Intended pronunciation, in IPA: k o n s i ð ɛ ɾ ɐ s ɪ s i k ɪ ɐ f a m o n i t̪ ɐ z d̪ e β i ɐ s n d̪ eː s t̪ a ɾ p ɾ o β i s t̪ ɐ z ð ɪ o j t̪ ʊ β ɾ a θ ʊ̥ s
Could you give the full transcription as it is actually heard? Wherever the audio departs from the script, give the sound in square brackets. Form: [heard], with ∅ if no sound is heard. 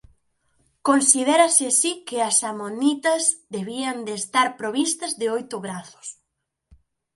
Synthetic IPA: k o n s i ð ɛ ɾ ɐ s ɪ s i k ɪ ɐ [s] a m o n i t̪ ɐ z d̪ e β i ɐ [∅] n d̪ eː s t̪ a ɾ p ɾ o β i s t̪ ɐ z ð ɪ o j t̪ ʊ β ɾ a θ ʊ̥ s